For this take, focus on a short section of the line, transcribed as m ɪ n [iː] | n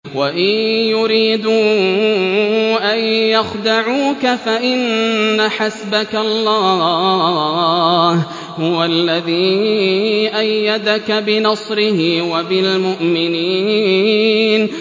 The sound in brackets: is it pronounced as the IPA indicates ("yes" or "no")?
yes